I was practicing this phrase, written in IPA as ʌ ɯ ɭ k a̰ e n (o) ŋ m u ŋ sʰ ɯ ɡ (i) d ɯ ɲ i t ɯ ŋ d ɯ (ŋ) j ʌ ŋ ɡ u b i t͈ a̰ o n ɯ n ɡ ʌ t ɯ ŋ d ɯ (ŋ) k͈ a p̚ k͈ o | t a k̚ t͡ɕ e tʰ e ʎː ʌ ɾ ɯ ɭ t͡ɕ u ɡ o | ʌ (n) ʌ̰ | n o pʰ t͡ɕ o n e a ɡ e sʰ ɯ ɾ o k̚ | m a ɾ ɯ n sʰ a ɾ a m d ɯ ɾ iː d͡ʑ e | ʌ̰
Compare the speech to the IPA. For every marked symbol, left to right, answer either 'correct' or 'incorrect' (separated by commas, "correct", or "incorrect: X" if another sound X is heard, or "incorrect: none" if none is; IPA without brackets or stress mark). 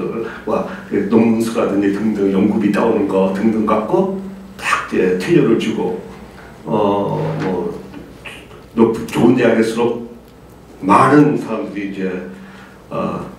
correct, incorrect: a, correct, correct, incorrect: m